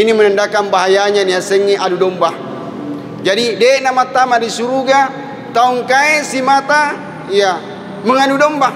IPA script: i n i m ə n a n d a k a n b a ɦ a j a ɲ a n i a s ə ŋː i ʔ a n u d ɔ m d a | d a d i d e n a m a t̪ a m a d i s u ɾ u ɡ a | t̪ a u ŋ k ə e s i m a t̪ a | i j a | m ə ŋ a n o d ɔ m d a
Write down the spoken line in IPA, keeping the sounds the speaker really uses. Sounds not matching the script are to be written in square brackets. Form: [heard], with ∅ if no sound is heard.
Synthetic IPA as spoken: i n i m ə n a n d a k a n b a ɦ a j a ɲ a n i a s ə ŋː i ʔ a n u d ɔ m [b] a | [d͡ʒ] a d i d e n a m a t̪ a m a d i s u ɾ u ɡ a | t̪ a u ŋ k [a] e s i m a t̪ a | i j a | m ə ŋ a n [u] d ɔ m [b] a